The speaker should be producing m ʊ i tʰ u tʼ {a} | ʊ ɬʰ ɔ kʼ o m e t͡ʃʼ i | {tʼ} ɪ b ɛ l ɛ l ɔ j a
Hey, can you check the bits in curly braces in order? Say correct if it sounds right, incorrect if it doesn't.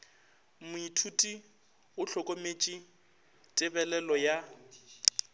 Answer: incorrect: i, correct

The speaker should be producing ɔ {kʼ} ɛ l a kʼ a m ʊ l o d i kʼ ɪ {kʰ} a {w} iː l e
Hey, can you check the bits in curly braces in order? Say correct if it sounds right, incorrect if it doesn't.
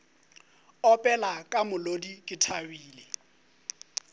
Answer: incorrect: pʼ, incorrect: tʰ, correct

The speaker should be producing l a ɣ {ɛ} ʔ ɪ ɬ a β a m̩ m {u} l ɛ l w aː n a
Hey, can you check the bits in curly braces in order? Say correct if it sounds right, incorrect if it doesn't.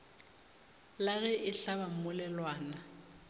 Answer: correct, incorrect: ʊ

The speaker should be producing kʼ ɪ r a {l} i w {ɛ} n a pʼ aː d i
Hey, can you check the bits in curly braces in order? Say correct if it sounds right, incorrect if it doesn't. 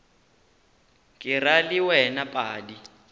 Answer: correct, correct

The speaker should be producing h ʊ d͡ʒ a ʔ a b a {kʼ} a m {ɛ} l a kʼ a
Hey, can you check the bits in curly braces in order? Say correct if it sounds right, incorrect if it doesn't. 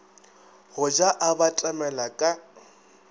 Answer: incorrect: tʼ, correct

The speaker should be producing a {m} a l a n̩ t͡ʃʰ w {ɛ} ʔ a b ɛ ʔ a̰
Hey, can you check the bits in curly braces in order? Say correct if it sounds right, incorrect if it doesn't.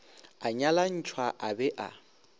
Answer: incorrect: ɲ, incorrect: a

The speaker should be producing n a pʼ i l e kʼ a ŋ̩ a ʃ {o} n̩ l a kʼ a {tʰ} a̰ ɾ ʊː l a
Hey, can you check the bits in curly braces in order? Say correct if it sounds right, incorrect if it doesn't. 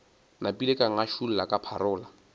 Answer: incorrect: u, incorrect: pʰ

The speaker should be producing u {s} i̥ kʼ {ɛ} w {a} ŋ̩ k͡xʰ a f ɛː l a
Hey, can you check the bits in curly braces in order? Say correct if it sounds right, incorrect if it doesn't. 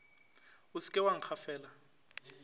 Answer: correct, correct, correct

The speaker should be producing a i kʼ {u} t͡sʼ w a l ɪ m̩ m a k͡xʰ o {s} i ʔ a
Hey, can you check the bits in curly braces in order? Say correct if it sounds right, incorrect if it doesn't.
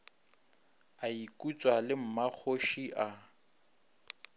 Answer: correct, incorrect: ʃ

